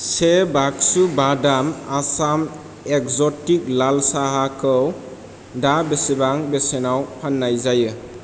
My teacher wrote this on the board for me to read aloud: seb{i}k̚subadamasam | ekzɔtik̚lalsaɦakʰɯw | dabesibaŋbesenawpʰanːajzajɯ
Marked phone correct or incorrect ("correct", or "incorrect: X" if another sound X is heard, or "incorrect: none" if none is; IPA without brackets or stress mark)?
incorrect: a